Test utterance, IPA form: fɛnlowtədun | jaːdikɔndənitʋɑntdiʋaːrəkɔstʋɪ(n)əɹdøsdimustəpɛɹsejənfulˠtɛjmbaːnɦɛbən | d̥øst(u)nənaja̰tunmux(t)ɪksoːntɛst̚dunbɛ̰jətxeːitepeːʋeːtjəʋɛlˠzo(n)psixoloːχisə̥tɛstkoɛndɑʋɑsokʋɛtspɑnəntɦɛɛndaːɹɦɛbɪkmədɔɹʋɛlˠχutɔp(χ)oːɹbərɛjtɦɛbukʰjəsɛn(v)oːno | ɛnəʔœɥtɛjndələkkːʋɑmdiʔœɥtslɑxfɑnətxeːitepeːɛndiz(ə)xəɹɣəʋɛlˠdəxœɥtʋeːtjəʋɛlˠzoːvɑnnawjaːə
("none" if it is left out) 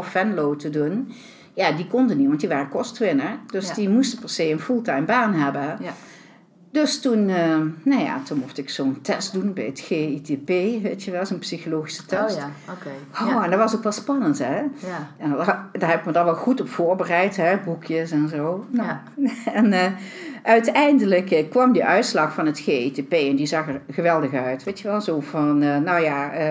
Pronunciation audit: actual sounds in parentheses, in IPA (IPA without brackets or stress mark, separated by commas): n, u, t, n, f, z, ɑ